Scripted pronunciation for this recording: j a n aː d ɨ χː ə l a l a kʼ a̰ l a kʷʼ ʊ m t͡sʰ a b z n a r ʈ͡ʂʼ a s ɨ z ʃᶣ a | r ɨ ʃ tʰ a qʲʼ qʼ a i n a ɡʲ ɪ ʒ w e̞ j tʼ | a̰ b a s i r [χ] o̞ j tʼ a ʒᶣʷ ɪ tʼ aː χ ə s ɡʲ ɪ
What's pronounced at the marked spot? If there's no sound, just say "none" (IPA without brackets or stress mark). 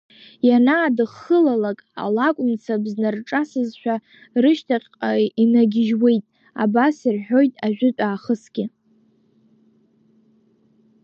ħ